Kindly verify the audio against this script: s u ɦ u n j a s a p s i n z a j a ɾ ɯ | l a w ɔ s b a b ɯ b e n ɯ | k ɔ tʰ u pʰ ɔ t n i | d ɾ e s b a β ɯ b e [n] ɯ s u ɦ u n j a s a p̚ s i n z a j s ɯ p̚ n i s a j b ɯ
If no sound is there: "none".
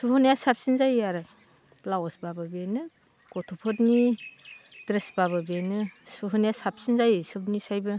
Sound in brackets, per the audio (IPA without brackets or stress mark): n